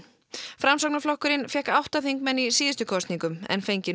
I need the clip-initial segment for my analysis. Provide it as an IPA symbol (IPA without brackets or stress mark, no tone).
f